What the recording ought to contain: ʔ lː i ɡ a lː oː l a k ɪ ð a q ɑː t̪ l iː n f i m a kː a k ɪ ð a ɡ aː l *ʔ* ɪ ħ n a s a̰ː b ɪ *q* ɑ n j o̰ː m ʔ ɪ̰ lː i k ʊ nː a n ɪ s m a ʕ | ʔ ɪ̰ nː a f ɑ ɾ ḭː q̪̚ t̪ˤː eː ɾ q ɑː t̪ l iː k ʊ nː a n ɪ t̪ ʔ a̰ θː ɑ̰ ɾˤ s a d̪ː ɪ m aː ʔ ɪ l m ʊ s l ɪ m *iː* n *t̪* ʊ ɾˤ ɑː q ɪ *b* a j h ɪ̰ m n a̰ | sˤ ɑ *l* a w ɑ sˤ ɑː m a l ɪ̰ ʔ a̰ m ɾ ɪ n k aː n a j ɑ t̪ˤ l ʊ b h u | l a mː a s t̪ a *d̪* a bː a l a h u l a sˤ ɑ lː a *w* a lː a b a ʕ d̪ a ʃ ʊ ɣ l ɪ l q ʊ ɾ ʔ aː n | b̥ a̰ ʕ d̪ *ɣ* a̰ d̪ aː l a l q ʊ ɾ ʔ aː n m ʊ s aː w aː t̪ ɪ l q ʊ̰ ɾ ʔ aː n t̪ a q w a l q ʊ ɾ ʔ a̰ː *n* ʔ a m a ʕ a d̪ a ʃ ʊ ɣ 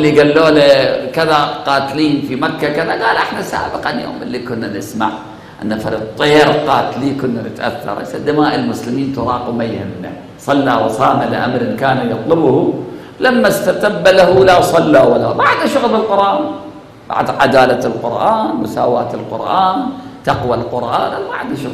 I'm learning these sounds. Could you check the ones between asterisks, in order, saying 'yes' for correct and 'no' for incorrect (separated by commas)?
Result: yes, yes, yes, yes, no, no, no, yes, no, yes